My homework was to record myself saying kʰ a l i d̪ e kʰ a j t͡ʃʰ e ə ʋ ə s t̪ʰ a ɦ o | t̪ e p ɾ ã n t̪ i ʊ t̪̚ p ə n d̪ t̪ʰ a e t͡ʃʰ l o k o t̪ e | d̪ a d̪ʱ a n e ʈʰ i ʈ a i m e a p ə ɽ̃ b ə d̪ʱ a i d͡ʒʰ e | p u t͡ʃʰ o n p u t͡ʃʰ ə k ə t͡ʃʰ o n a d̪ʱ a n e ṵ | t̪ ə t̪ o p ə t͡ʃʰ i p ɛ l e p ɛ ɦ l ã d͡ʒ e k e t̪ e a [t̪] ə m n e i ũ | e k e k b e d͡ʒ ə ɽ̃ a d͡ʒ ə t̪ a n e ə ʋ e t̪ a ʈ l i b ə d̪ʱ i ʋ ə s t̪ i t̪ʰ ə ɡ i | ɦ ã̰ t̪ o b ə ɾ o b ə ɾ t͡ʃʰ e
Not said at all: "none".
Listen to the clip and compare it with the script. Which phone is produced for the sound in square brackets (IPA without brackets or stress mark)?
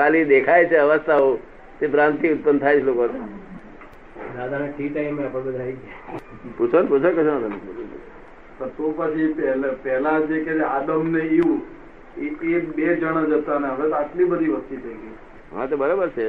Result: d̪